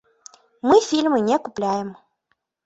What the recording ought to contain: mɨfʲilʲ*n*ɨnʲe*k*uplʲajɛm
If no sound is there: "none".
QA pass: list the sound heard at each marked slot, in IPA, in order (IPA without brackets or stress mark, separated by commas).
m, k